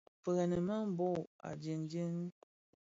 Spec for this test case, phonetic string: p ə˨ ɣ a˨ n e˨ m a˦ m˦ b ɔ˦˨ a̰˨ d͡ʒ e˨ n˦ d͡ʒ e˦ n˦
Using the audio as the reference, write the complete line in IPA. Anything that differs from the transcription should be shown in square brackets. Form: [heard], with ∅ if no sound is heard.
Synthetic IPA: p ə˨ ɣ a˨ n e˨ m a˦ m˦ b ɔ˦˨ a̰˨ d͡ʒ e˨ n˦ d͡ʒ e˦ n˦